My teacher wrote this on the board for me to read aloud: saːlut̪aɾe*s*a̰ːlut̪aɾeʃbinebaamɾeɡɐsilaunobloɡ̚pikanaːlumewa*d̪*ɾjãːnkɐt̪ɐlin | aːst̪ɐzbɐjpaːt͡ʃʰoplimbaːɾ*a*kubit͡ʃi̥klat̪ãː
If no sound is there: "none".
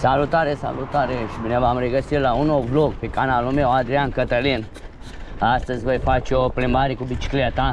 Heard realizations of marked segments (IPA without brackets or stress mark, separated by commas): s, d̪, i